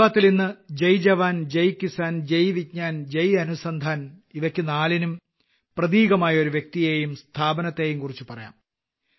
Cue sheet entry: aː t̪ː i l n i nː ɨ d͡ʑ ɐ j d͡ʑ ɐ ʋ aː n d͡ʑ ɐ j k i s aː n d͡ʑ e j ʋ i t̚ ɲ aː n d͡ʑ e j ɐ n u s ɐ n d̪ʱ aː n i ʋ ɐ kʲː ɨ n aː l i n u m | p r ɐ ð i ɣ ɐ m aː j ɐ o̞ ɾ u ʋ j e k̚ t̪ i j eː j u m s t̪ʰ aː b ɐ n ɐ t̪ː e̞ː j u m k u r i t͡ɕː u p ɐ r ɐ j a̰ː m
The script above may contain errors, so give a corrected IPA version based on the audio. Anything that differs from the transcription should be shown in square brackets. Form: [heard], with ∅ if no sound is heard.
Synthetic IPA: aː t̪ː i l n i nː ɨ d͡ʑ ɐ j d͡ʑ ɐ ʋ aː n d͡ʑ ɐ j k i s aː n d͡ʑ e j ʋ i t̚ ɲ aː n d͡ʑ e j ɐ n u s ɐ n d̪ʱ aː n i ʋ ɐ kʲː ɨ n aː l i n u m | p r ɐ ð [iː] ɣ ɐ m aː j ɐ o̞ ɾ u ʋ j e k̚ t̪ i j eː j u m s t̪ʰ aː b ɐ n ɐ t̪ː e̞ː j u m k u r i t͡ɕː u p ɐ r ɐ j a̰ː m